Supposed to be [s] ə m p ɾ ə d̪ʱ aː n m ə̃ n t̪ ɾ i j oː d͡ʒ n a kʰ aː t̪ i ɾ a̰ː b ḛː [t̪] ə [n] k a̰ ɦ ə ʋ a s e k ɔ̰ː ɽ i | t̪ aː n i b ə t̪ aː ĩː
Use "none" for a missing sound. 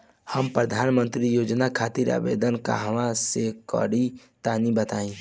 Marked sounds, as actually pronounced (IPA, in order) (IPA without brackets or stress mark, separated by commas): h, d̪, n